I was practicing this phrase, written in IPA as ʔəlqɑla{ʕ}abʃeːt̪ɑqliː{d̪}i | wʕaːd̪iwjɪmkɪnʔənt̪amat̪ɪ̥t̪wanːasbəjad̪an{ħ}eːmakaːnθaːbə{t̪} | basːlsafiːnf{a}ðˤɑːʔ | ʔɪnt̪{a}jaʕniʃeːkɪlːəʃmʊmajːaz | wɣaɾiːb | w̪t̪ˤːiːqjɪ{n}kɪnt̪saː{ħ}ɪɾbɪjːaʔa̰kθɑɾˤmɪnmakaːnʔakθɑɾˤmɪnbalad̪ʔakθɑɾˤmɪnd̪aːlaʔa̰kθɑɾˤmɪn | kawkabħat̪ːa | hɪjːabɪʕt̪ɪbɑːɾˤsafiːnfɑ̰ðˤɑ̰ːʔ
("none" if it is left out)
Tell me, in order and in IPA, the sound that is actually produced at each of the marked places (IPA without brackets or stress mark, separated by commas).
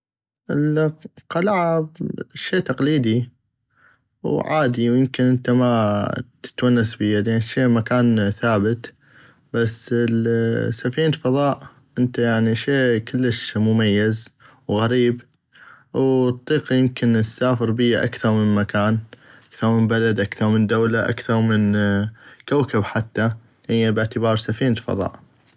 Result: ʕ, d̪, ʃ, t̪, ɑ, a, m, f